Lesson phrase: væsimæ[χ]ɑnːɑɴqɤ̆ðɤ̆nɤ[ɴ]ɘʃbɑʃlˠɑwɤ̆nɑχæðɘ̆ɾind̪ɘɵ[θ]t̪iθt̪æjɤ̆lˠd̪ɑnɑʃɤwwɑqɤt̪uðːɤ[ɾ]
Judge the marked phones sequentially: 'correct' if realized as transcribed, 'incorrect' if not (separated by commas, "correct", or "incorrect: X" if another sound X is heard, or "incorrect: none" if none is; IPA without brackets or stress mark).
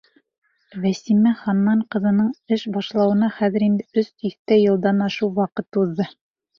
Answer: correct, correct, incorrect: s, incorrect: none